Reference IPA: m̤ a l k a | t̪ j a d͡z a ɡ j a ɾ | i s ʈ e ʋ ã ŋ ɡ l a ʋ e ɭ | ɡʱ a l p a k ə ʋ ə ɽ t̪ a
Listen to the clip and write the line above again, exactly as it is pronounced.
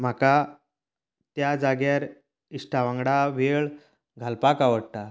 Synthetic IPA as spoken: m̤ a k a | t̪ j a d͡z a ɡ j a ɾ | i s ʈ a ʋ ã ŋ ɡ ɽ a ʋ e ɭ | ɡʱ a l p a k a ʋ ə ɽ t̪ a